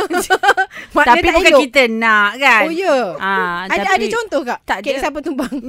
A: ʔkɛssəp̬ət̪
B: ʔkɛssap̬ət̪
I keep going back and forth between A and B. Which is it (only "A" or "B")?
B